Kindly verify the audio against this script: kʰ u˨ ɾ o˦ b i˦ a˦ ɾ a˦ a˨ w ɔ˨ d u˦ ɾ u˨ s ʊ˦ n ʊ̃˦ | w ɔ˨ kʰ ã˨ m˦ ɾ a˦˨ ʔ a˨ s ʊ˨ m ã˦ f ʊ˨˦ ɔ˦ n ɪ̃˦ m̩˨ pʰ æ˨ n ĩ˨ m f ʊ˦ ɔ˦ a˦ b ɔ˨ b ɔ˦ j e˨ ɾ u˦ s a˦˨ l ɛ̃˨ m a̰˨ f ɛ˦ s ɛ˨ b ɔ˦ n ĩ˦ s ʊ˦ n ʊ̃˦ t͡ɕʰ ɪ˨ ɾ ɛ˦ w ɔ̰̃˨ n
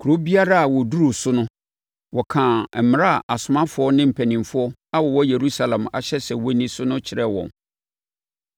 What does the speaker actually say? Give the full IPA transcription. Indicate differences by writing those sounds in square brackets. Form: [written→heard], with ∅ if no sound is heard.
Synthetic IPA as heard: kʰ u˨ ɾ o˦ b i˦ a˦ ɾ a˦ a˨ w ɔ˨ d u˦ ɾ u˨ s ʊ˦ n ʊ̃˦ | w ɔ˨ kʰ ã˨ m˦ ɾ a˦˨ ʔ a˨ s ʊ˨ m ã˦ f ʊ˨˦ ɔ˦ n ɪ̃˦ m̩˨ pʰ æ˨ n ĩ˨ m f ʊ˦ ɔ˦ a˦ [b→w] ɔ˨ [b→w] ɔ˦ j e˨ ɾ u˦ s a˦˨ l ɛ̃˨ m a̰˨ [f→ɕ] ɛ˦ s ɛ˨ [b→w] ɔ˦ n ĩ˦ s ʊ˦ n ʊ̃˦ t͡ɕʰ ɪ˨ ɾ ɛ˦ w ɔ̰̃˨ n

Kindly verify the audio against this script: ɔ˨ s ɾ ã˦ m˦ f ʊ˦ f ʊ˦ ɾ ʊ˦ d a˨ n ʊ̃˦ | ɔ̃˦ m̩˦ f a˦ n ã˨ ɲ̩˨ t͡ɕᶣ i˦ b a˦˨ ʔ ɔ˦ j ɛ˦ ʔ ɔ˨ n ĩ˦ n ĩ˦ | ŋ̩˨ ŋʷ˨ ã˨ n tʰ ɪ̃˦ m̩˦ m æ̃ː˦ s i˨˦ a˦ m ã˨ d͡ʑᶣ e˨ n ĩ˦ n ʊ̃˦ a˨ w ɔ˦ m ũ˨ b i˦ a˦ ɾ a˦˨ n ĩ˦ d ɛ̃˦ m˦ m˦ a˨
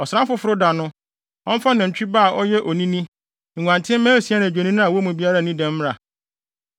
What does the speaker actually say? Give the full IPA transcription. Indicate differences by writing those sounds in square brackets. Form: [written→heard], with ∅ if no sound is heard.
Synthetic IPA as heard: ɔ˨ s ɾ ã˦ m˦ f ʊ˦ f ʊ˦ ɾ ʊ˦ d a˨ n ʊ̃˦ | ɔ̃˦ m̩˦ f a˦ n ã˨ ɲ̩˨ t͡ɕᶣ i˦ b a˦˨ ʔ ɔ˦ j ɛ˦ ʔ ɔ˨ n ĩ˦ n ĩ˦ | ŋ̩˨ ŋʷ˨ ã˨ n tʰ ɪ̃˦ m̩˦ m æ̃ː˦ s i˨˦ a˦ [m→n] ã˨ d͡ʑᶣ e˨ n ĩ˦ n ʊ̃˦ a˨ w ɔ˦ m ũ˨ b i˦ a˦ ɾ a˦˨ n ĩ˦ d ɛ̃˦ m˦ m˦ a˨

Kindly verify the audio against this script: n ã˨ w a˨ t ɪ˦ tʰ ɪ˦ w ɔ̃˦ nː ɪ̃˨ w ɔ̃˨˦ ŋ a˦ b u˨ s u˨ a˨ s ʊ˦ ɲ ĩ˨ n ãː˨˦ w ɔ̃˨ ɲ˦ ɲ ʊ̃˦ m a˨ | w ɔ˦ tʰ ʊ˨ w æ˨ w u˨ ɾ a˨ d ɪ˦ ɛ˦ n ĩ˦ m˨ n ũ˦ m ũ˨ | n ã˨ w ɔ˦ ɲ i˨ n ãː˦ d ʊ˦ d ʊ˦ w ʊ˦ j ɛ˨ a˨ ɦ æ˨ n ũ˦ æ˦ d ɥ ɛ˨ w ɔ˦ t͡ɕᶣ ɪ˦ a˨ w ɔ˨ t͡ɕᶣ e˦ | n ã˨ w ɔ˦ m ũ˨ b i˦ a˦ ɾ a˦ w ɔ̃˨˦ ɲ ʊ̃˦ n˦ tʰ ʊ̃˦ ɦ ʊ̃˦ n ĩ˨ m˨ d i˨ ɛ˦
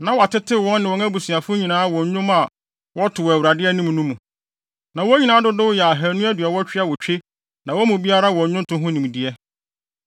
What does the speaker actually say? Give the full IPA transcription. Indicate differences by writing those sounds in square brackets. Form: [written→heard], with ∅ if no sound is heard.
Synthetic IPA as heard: n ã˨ w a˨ t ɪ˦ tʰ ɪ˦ w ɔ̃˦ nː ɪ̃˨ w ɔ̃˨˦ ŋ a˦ b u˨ s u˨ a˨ [s→f] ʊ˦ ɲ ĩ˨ n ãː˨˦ w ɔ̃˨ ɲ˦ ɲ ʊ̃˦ m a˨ | w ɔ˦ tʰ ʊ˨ w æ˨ w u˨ ɾ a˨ d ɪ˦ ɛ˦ n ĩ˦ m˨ n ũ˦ m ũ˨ | n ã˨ w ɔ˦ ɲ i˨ n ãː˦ d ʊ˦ d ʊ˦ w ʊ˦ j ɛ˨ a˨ ɦ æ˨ n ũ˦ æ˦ d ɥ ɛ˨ w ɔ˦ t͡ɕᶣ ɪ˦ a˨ w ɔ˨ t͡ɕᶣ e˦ | n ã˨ w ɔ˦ m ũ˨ b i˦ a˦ ɾ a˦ w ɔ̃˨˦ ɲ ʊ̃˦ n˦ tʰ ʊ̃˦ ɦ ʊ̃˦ n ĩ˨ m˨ d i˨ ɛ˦

